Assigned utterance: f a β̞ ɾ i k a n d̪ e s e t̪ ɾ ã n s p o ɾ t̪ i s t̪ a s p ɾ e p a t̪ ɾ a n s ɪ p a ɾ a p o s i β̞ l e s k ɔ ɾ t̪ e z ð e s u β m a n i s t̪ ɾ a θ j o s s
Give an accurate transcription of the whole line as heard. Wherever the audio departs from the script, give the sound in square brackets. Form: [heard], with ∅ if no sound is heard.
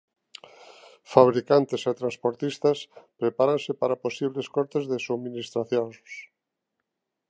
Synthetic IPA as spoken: f a β̞ ɾ i k a n [t̪] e s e t̪ ɾ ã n s p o ɾ t̪ i s t̪ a s p ɾ e p a [∅] ɾ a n s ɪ p a ɾ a p o s i β̞ l e s k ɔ ɾ t̪ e z ð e s u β m [i] n i s t̪ ɾ a θ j o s s